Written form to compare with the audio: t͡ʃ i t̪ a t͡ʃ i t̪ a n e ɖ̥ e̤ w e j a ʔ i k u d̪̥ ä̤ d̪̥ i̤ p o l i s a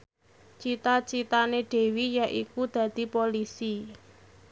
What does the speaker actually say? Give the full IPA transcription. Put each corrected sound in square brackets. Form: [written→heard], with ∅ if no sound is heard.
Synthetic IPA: t͡ʃ i t̪ a t͡ʃ i t̪ a n e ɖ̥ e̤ w [e→i] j a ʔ i k u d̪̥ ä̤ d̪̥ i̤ p o l i s [a→i]